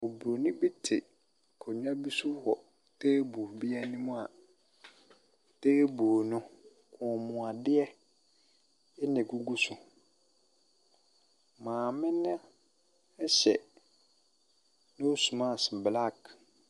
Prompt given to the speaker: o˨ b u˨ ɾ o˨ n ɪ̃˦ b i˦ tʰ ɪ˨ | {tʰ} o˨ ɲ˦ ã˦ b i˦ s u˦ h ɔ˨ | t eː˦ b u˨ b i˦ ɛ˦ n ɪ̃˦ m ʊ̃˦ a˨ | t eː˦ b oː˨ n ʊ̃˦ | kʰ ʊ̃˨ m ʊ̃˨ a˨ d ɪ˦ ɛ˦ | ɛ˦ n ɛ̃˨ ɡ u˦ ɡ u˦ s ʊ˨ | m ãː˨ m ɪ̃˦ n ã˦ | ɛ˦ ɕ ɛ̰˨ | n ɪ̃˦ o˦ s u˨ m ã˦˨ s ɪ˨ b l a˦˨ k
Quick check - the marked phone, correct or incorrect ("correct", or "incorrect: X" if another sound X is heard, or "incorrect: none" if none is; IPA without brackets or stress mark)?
incorrect: kʰ